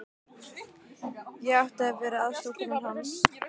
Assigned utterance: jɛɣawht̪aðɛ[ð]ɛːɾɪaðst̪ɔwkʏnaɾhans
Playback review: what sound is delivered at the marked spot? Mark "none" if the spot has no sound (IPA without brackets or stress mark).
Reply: v